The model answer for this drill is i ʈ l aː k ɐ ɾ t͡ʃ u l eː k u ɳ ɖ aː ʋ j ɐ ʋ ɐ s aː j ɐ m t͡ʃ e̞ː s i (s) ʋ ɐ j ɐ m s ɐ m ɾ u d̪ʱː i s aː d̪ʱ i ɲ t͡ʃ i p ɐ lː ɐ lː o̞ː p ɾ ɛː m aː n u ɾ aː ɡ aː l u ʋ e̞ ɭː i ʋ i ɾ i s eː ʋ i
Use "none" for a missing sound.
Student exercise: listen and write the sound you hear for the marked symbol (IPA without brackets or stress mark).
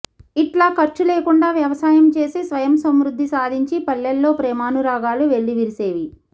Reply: s